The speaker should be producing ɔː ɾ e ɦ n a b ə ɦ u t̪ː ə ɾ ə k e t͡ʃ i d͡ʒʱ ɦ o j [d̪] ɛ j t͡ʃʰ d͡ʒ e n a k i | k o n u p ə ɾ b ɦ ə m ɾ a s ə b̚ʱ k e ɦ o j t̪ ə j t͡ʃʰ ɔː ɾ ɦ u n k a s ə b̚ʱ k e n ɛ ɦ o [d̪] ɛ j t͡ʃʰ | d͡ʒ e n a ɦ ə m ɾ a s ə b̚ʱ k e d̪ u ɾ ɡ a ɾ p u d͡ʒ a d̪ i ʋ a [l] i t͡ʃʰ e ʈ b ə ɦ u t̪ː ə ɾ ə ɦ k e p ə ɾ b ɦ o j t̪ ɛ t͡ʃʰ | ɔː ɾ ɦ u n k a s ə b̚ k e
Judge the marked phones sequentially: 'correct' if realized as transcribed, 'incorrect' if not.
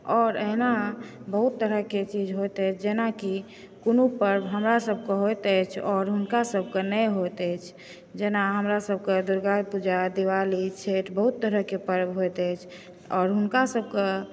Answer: incorrect: t̪, incorrect: t̪, correct

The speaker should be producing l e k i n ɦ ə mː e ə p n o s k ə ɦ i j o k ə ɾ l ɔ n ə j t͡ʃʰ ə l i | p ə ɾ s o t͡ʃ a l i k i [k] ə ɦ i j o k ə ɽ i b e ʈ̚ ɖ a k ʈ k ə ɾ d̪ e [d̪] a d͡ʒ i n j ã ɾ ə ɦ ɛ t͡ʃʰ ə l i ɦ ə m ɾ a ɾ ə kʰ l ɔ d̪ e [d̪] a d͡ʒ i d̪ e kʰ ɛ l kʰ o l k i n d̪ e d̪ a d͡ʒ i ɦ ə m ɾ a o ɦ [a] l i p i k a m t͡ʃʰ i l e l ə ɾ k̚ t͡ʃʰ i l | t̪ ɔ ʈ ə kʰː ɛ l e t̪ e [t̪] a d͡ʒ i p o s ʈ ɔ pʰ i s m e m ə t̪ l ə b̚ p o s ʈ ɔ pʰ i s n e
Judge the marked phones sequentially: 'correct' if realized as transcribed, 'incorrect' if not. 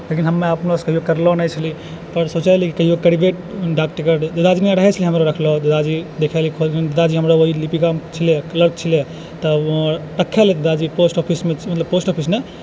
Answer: correct, correct, correct, incorrect: i, incorrect: d̪

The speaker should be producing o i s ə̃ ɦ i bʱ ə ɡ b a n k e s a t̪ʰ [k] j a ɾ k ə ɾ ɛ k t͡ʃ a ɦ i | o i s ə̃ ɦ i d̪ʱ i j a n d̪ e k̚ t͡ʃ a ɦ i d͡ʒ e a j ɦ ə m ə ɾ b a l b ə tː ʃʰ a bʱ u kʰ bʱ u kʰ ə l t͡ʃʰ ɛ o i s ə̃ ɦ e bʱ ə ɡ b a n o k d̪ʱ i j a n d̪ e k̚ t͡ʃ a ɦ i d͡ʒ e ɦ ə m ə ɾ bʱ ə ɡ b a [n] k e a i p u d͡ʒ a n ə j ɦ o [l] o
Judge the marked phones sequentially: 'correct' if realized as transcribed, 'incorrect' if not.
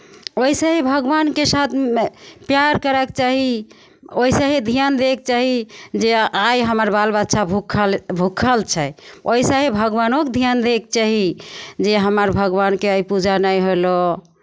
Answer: incorrect: p, correct, correct

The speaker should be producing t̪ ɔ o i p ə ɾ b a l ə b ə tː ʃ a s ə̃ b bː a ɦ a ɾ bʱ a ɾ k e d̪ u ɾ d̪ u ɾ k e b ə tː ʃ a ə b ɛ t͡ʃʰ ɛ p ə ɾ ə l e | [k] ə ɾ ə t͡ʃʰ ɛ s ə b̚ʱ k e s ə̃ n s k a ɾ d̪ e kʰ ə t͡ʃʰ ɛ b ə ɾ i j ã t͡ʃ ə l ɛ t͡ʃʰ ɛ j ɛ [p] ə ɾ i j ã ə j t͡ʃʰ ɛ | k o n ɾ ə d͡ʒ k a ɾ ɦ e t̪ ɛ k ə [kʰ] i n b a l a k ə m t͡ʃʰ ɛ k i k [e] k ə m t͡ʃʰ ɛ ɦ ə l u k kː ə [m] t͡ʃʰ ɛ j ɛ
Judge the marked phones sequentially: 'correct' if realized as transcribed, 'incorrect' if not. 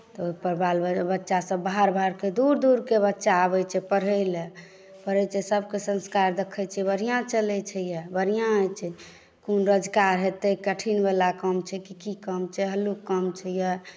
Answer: incorrect: p, incorrect: b, incorrect: ʈʰ, incorrect: i, correct

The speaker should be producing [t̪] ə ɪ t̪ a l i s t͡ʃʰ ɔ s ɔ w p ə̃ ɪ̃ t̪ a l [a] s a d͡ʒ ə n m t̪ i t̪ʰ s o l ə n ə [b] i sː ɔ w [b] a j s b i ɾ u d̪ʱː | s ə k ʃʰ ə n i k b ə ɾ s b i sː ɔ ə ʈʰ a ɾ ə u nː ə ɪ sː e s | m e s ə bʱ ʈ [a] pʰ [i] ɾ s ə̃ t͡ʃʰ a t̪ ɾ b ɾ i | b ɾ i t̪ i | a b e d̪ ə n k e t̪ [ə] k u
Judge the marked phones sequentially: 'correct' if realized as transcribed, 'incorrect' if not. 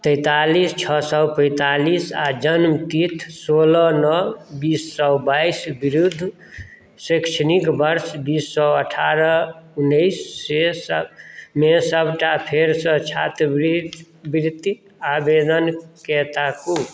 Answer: correct, incorrect: i, correct, correct, correct, incorrect: e, incorrect: a

